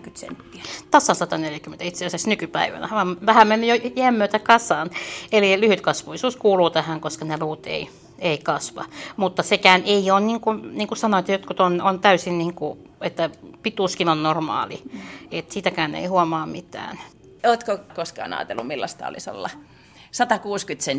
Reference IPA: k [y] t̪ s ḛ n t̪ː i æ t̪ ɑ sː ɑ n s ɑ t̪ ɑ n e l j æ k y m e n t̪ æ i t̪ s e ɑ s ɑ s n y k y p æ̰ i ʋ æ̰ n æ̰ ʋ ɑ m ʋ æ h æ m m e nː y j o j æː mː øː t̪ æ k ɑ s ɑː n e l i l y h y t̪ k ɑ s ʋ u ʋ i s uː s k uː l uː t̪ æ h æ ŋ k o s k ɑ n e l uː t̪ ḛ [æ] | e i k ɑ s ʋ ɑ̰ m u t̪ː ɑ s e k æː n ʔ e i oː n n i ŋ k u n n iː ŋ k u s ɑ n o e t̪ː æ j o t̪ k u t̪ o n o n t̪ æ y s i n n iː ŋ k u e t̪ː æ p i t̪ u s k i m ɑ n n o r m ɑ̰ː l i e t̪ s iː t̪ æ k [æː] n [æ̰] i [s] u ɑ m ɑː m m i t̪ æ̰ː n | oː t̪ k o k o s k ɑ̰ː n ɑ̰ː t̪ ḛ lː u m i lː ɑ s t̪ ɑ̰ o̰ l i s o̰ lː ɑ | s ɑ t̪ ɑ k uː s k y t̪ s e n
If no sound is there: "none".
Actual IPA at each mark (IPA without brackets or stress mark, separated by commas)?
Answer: y, i, æː, ḛ, h